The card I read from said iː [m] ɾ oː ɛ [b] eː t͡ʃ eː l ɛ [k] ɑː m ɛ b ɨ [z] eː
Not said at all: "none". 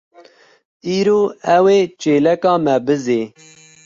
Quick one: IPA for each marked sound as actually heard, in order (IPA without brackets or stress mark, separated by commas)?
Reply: none, w, k, z